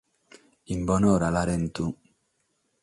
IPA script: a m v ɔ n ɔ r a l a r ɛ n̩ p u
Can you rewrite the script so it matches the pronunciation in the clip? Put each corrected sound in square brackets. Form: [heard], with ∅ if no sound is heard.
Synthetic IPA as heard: [i] m [b] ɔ n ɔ [ɾ] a l a [ɾ] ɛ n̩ [t] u